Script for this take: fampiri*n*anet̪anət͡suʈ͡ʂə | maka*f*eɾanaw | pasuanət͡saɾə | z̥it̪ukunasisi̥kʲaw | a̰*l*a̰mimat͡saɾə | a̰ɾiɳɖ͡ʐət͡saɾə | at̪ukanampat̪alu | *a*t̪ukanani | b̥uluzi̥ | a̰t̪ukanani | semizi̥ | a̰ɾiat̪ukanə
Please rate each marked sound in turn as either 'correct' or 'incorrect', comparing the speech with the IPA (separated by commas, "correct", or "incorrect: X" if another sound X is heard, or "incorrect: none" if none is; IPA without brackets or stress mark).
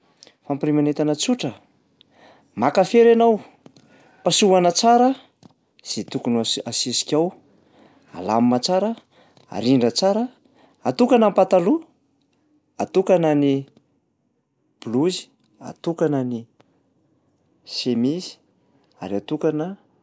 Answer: incorrect: m, correct, correct, correct